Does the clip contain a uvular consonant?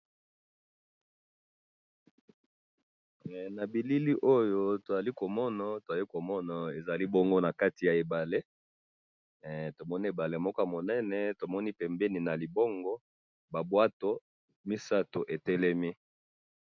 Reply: no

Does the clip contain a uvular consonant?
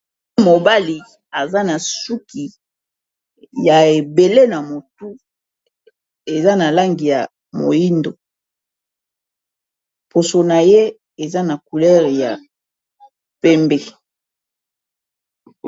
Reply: yes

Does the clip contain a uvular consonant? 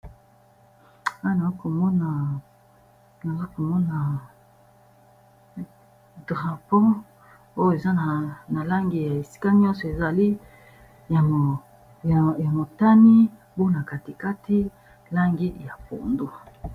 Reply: yes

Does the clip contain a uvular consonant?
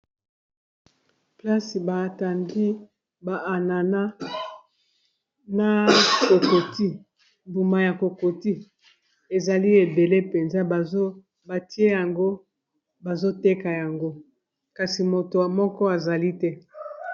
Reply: no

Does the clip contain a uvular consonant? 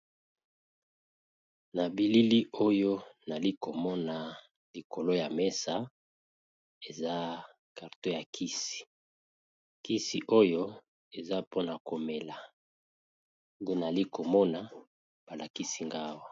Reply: yes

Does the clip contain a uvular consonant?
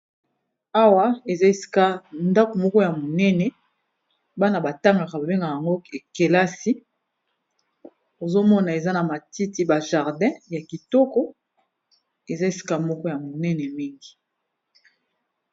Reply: yes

